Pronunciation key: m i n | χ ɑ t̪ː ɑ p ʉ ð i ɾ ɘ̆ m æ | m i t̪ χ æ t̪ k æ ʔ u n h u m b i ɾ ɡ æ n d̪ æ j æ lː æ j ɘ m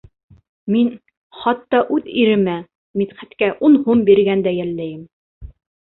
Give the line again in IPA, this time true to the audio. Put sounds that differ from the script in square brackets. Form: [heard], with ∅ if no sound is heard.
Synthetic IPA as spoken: m i n | χ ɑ t̪ː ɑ [ʔ] ʉ ð i ɾ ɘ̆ m æ | m i t̪ χ æ t̪ k æ ʔ u n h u m b i ɾ ɡ æ n d̪ æ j æ lː æ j ɘ m